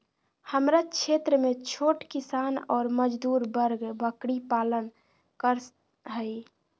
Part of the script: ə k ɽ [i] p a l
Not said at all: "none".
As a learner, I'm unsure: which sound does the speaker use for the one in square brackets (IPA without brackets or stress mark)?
i